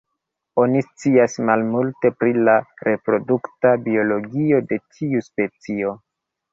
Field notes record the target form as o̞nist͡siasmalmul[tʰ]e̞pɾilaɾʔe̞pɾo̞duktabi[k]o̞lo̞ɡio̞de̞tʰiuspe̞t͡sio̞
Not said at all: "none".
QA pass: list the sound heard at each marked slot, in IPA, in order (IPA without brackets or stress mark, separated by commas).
t, none